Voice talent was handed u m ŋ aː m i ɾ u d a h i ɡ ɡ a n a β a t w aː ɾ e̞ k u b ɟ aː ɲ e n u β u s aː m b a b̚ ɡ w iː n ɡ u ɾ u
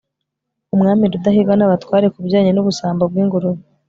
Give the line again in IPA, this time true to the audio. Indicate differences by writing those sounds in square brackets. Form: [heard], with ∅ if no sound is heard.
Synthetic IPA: u m ŋ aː m i ɾ u d a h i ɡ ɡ a n a β a t w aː ɾ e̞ k u b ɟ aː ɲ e n u β u s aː m b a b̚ ɡ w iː [ŋ] ɡ u ɾ u